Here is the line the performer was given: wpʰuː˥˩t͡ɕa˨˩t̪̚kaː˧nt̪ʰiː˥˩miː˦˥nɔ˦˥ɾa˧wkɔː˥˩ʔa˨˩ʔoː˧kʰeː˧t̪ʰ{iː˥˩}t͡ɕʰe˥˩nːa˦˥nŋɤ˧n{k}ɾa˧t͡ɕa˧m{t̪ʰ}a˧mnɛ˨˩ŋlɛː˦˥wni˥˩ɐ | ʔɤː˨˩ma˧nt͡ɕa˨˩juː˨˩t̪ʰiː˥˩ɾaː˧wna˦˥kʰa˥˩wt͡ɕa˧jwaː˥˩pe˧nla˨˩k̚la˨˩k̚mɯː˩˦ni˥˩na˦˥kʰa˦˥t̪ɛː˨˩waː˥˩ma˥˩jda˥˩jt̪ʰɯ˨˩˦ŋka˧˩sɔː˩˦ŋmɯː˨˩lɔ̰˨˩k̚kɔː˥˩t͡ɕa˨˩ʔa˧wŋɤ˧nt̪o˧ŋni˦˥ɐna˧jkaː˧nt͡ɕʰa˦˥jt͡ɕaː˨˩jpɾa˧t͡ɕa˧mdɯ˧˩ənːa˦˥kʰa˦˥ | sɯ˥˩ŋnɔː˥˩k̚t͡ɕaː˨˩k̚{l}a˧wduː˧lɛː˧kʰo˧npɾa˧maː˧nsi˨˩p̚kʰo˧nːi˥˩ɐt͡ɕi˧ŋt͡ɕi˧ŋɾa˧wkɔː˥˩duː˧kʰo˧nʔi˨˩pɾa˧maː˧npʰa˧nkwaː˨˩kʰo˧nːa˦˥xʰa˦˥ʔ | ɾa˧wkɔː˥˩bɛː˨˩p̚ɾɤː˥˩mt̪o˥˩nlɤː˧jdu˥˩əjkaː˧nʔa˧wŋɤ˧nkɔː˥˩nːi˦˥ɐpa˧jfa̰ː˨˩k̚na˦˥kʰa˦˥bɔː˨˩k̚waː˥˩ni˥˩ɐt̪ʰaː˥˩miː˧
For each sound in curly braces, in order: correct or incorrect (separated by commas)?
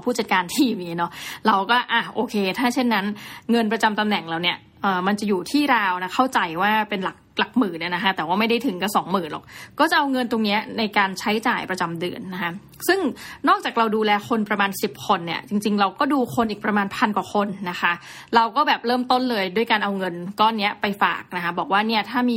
incorrect, incorrect, incorrect, incorrect